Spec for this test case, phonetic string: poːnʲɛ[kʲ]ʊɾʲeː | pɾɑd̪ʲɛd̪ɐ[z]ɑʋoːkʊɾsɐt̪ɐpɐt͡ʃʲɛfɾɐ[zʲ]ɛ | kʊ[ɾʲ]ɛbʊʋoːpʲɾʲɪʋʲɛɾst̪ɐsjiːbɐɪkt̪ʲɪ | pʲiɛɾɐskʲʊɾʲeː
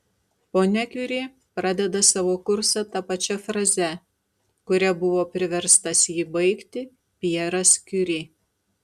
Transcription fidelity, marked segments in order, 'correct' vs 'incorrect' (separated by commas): correct, incorrect, correct, correct